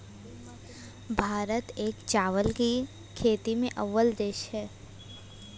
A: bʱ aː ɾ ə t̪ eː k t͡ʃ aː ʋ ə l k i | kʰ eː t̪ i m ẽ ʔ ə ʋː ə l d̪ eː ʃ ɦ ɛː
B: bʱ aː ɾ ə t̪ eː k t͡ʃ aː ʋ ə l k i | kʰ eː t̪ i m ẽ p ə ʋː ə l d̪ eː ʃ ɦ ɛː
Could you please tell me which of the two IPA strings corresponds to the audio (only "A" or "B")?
A